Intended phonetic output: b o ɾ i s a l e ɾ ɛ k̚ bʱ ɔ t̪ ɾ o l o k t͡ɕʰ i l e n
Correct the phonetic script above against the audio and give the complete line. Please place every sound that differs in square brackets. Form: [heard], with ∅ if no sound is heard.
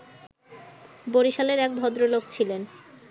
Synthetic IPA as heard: b o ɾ i [ʃ] a l e ɾ ɛ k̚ bʱ ɔ [d̪] ɾ o l o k t͡ɕʰ i l e n